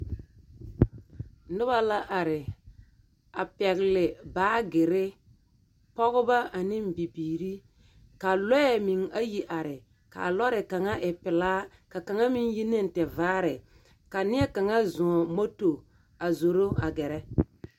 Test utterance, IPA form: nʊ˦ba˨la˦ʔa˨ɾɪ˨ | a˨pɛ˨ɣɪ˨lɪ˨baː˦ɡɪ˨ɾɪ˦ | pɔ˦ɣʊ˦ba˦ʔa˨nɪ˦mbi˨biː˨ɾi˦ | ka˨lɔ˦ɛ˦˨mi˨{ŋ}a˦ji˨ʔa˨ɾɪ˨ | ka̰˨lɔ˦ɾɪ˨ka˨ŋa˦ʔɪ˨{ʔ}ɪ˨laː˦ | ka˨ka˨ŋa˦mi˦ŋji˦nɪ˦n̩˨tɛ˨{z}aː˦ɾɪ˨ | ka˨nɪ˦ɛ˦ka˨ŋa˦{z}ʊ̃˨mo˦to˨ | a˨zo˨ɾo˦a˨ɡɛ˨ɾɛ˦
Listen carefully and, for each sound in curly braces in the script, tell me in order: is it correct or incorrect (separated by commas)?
correct, incorrect, incorrect, correct